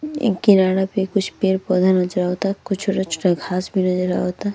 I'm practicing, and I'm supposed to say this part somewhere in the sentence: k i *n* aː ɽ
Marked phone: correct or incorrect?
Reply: correct